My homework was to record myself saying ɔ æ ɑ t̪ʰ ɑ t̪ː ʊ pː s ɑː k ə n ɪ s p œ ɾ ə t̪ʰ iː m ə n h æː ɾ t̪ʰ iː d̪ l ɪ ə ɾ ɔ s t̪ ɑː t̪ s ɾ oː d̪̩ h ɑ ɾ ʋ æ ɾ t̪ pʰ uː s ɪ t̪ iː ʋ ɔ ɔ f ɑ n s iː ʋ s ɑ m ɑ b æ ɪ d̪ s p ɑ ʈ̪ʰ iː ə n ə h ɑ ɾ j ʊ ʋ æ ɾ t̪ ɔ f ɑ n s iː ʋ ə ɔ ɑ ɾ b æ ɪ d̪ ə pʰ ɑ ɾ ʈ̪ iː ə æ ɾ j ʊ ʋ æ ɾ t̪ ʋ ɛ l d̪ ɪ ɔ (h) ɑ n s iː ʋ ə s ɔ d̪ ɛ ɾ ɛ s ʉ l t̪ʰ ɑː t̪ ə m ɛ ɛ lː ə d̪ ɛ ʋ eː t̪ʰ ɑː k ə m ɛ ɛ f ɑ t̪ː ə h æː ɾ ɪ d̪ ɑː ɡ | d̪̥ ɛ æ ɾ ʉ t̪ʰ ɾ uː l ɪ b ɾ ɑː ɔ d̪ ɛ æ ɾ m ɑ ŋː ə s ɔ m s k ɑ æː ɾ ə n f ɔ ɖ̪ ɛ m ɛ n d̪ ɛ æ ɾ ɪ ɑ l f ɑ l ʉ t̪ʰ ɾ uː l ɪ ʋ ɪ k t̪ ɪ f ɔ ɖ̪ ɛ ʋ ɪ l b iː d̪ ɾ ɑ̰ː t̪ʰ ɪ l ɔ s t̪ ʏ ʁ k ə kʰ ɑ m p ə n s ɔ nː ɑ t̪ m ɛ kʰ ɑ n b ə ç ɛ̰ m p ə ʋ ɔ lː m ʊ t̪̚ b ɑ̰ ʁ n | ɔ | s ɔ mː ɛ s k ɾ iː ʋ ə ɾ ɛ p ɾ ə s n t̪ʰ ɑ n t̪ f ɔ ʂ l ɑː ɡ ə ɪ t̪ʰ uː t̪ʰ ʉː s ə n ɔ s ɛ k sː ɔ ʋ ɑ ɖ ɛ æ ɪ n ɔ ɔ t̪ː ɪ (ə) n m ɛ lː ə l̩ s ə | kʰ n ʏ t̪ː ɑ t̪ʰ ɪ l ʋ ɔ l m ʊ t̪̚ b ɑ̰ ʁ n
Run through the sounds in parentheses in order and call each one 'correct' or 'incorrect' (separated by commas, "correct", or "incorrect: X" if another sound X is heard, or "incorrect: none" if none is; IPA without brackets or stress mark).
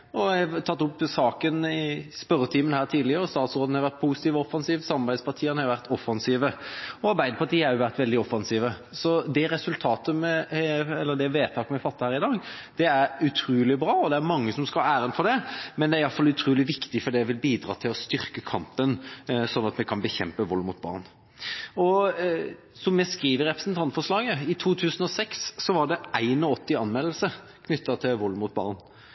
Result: incorrect: f, incorrect: ɑ